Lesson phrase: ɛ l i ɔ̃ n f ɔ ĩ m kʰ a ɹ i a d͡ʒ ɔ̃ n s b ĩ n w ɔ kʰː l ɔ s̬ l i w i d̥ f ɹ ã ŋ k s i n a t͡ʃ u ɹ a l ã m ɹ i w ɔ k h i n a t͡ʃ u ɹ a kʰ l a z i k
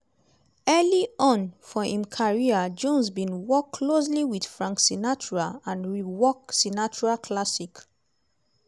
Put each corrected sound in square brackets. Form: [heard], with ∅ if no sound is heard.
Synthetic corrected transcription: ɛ l i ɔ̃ n f ɔ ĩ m kʰ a ɹ i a d͡ʒ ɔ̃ n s b ĩ n w ɔ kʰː l [o] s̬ l i w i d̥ f ɹ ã ŋ k s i n a t͡ʃ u ɹ a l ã [n] ɹ i w ɔ k [s] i n a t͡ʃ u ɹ a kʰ l a [s] i k